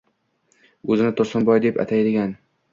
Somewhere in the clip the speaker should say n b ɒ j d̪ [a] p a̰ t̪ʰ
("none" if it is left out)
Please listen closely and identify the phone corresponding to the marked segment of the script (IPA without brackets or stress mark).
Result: e